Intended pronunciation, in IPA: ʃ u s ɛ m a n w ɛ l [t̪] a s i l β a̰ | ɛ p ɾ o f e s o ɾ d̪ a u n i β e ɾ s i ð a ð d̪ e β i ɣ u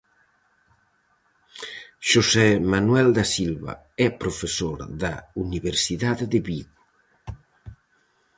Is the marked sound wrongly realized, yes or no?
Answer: yes